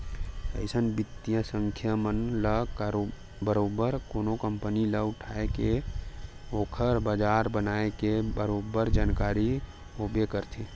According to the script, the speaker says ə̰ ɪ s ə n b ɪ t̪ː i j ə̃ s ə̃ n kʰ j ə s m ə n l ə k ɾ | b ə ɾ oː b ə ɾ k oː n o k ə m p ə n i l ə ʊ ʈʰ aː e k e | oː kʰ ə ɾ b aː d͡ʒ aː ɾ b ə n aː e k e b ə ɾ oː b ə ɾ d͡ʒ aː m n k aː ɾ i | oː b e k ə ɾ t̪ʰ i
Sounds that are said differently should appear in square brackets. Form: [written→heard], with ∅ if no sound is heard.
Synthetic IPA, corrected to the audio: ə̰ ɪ s ə n b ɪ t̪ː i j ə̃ s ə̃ [n→ŋ] kʰ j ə [s→∅] m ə n l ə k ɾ | b ə ɾ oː b ə ɾ k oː n o k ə m p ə n i l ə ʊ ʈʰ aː e k e | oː kʰ ə ɾ b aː d͡ʒ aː ɾ b ə n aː e k e b ə ɾ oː b ə ɾ d͡ʒ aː [m→∅] n k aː ɾ i | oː b e k ə ɾ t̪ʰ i